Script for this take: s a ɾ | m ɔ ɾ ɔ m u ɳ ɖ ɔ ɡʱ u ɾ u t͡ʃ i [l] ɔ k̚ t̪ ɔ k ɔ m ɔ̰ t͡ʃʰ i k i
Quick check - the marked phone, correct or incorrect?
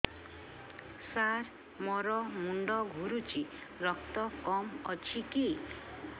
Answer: incorrect